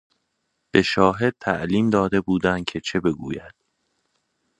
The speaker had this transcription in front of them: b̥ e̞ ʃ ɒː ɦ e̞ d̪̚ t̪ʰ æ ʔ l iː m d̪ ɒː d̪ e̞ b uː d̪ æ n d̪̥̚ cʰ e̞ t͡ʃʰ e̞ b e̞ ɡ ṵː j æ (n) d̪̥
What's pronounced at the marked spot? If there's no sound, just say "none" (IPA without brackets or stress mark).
none